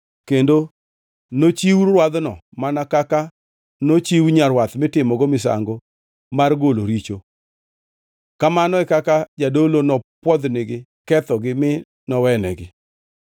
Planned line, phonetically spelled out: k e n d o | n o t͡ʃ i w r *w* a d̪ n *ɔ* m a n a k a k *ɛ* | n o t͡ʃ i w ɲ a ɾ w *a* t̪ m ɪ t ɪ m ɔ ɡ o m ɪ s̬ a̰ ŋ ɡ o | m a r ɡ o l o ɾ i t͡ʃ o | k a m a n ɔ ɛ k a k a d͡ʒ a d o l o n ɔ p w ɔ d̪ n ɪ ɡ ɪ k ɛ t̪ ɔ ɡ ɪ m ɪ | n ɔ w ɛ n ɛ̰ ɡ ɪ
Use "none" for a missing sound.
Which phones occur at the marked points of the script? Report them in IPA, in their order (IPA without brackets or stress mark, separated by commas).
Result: w, ɔ, a, a